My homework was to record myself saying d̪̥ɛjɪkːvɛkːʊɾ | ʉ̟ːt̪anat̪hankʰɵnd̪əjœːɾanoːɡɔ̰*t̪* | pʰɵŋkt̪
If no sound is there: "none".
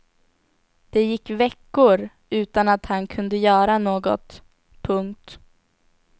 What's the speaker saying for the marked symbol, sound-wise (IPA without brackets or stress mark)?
t̪